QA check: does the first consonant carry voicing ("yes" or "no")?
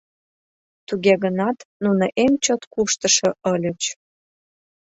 no